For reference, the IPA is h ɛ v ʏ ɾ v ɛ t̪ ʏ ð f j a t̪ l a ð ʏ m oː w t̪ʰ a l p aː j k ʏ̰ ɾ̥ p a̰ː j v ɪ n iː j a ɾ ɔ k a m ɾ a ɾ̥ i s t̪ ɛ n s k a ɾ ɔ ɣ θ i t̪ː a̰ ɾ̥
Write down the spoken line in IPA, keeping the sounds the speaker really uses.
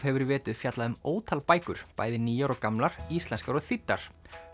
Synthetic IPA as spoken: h ɛ v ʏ ɾ v ɛː t̪ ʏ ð f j a t̪ l a ð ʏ m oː w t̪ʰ a l p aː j k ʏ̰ ɾ̥ p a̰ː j ð ɪ n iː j a ɾ ɔ k a m l a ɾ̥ i s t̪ ɛ n s k a ɾ ɔ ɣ θ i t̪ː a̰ ɾ̥